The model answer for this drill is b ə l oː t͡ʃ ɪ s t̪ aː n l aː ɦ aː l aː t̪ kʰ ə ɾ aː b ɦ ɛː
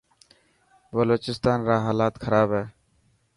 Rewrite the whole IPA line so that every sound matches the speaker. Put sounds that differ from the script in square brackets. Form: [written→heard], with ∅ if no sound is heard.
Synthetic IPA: b ə l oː t͡ʃ ɪ s t̪ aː n [l→ɾ] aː ɦ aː l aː t̪ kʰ ə ɾ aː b ɦ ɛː